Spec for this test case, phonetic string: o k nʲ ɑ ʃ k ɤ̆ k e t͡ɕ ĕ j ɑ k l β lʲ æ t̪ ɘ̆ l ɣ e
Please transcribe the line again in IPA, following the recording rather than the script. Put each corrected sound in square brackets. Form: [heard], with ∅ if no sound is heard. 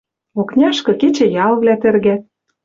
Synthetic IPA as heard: o k nʲ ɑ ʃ k ɤ̆ k e t͡ɕ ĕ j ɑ [∅] l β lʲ æ t̪ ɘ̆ [r] ɣ [æ]